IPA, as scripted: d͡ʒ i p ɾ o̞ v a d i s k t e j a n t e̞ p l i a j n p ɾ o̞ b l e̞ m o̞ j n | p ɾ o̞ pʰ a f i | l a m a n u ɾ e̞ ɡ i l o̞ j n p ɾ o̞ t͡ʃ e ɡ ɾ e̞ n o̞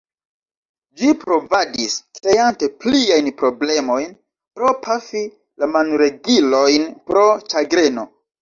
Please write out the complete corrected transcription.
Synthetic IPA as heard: d͡ʒ i p ɾ o̞ v a d i s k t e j a n t e̞ p l i a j n p ɾ o̞ b l e̞ m o̞ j n | p ɾ o̞ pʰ a f i | l a m a n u ɾ e̞ ɡ i l o̞ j n p ɾ o̞ t͡ʃ a ɡ ɾ e̞ n o̞